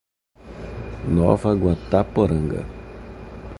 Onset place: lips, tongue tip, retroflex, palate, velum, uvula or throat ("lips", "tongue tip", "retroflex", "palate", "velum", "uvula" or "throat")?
tongue tip